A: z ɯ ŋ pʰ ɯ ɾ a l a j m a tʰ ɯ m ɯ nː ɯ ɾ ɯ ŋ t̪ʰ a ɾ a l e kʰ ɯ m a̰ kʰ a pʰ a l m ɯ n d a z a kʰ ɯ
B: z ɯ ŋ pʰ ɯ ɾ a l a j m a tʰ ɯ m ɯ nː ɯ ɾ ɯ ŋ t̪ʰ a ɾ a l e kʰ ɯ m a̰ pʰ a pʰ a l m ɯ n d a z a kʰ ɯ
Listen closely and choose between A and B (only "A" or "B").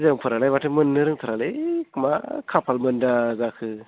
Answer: A